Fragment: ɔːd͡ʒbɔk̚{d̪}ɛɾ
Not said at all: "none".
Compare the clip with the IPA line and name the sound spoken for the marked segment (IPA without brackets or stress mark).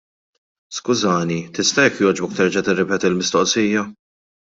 t̪